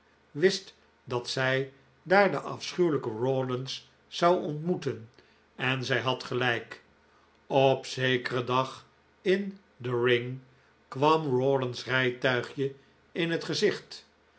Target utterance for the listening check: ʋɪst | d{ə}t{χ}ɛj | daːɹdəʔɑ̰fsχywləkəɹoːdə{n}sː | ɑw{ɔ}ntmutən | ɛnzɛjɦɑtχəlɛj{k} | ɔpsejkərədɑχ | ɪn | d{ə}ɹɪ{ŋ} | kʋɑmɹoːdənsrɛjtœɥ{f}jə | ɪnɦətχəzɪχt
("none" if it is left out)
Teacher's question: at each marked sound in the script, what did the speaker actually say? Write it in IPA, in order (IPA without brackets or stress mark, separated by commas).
ɑ, s, n, ɔ, k, ə, ŋ, χ